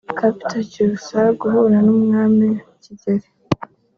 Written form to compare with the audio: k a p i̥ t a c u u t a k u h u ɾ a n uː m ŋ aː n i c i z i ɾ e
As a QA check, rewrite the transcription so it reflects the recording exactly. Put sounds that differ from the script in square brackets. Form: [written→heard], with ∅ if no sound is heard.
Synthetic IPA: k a p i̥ t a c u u [t→s] a [k→ɡ] u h u ɾ a n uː m ŋ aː [n→m] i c i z [i→e] ɾ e